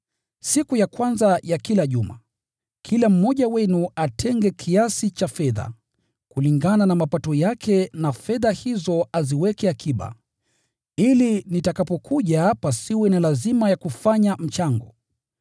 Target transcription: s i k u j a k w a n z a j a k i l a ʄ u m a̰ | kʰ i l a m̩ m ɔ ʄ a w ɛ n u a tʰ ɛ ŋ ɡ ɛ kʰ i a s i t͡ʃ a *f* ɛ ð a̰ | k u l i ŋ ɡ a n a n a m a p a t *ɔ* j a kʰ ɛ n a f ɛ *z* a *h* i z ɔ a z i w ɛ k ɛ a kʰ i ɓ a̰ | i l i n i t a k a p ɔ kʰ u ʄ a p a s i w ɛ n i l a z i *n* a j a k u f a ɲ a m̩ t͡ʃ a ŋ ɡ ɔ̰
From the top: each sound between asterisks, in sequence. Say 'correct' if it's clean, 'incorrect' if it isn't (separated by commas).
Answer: correct, correct, incorrect, correct, incorrect